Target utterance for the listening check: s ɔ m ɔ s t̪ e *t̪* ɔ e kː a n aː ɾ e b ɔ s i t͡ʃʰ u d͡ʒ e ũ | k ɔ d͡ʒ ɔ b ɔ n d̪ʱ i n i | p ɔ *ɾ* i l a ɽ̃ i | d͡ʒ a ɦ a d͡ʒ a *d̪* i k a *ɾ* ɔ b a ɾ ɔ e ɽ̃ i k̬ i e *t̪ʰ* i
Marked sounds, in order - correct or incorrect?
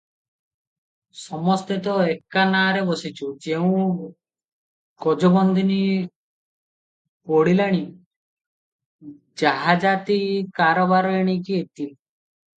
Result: correct, incorrect: ɽ, incorrect: t̪, correct, incorrect: t̪

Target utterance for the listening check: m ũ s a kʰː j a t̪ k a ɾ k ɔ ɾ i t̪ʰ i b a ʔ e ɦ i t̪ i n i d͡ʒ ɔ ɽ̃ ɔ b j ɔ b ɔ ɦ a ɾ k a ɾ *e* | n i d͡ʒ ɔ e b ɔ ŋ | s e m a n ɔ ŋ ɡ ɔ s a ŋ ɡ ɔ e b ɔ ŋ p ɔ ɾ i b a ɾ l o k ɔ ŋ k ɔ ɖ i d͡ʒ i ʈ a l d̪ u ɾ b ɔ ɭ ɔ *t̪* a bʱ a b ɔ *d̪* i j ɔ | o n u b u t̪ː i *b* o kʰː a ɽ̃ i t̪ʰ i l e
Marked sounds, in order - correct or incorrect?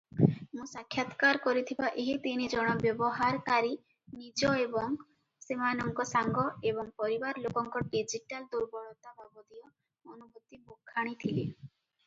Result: incorrect: i, correct, correct, correct

